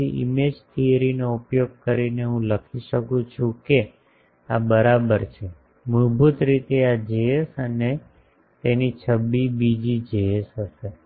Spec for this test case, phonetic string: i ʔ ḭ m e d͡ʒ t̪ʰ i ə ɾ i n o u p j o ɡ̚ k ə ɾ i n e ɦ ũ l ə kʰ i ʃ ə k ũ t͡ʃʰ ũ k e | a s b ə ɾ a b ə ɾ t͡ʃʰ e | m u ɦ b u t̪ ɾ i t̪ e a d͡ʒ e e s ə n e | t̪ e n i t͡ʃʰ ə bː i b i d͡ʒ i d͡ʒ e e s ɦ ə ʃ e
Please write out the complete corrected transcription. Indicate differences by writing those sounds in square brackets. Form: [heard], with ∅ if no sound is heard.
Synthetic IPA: i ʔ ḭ m e d͡ʒ t̪ʰ i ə ɾ i n o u p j o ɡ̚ k ə ɾ i n e ɦ ũ l ə kʰ i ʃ ə k ũ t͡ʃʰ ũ k e | a [∅] b ə ɾ a b ə ɾ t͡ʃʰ e | m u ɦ b u t̪ ɾ i t̪ e a d͡ʒ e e s ə n e | t̪ e n i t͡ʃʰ ə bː i b i d͡ʒ i d͡ʒ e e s ɦ ə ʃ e